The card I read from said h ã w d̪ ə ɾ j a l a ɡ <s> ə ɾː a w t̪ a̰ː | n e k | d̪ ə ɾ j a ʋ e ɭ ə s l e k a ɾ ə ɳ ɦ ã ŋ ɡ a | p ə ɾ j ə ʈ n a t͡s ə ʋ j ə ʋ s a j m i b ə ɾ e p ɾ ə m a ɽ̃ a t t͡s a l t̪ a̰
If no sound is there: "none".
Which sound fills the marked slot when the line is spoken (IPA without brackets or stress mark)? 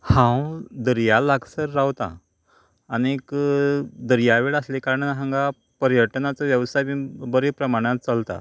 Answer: s